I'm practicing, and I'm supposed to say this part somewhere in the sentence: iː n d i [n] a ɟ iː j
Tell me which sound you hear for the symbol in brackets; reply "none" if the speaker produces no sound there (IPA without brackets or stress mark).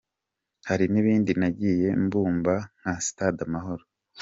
n